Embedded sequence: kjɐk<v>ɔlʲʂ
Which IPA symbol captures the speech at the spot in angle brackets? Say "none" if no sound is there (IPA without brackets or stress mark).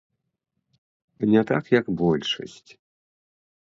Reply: b